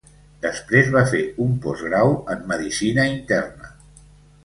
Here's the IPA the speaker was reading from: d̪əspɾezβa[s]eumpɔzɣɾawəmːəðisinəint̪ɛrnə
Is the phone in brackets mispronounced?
yes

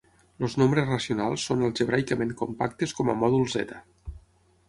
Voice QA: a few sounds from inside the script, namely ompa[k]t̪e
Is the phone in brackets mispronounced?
no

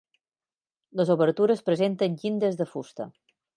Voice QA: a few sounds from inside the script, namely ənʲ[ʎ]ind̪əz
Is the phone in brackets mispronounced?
no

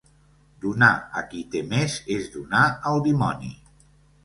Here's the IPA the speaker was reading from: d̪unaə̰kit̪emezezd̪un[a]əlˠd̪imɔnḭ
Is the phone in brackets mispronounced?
no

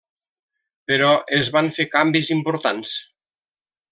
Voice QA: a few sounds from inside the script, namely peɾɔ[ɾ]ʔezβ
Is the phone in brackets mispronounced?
yes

